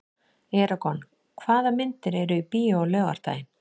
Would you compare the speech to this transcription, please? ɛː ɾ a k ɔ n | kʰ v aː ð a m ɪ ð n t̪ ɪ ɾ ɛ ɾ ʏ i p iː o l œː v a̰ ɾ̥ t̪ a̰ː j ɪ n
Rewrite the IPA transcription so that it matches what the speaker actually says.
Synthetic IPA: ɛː ɾ a k ɔ n | kʰ v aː ð a m ɪ n t̪ ɪ ɾ ɛ ɾ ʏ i p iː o l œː ɣ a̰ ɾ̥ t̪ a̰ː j ɪ n